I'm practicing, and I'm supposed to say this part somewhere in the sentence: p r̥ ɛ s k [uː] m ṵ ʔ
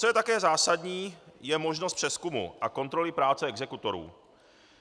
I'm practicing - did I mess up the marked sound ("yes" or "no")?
yes